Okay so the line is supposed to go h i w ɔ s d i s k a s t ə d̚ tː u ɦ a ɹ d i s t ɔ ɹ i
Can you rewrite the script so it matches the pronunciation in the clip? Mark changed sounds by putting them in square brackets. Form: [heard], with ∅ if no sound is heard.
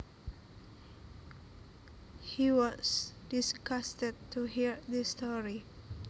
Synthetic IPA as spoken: h i w ɔ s d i s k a s t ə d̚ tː u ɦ [i] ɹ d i s t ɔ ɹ i